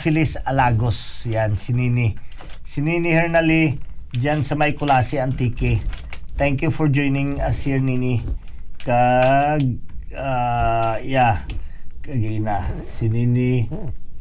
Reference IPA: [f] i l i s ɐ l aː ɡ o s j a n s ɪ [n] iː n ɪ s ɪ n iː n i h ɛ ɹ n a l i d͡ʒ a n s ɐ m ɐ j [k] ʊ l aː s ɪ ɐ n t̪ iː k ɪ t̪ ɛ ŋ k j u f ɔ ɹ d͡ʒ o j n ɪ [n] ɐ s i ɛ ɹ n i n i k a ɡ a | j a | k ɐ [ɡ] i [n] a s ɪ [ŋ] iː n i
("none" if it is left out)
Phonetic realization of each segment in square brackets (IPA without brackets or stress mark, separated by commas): f, n, k, ŋ, ɡ, n, n